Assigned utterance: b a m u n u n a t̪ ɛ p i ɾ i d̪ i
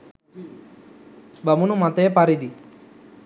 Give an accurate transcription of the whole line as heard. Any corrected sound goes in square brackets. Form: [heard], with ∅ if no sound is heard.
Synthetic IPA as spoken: b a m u n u [m] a t̪ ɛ p [a] ɾ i d̪ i